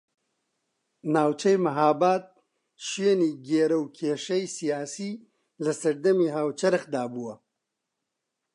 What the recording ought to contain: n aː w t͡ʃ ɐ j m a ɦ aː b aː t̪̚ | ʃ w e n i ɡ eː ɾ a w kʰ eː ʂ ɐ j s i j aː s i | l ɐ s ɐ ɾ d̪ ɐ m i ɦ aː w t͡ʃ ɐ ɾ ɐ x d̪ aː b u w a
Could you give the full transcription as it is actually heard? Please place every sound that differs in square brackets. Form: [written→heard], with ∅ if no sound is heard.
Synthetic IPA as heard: n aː w t͡ʃ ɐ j m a ɦ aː b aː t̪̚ | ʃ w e n i ɡ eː ɾ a w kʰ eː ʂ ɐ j s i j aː s i | l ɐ s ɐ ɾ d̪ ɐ m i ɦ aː w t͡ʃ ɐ ɾ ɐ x d̪ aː b u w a